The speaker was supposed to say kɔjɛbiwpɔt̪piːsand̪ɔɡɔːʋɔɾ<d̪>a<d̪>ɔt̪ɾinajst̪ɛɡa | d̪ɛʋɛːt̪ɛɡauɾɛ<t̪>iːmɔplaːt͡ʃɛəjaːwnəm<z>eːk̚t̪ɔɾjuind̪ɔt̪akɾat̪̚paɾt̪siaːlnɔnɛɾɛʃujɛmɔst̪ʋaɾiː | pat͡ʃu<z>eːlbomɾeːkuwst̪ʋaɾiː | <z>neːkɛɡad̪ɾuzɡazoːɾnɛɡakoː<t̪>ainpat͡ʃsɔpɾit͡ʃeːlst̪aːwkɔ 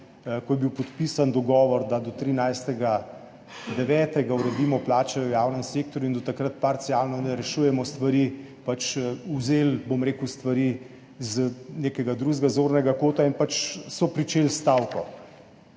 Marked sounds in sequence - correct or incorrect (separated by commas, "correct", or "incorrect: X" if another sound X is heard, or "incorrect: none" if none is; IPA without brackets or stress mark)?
correct, correct, incorrect: d̪, incorrect: s, correct, correct, correct